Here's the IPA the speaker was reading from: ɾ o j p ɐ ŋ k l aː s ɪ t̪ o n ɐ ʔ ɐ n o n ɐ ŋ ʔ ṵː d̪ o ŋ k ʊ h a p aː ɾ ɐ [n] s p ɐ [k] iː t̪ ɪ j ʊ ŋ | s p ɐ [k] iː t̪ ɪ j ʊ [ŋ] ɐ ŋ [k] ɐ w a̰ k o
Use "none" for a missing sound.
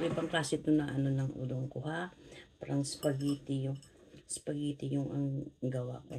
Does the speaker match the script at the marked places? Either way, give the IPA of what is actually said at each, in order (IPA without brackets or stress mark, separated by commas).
ŋ, ɡ, ɡ, ŋ, ɡ